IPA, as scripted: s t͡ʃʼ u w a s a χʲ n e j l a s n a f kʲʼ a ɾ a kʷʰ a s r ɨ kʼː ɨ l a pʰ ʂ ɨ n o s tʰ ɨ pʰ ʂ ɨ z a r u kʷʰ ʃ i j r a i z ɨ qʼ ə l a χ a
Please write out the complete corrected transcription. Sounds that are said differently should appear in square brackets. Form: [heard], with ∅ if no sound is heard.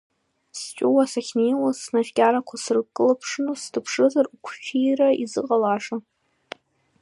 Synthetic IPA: s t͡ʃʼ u w a s a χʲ n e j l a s n a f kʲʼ a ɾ a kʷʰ a s r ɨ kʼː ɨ l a pʰ ʂ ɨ n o s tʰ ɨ pʰ ʂ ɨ z a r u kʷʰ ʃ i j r a i z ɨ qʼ [a] l a [ʂ] a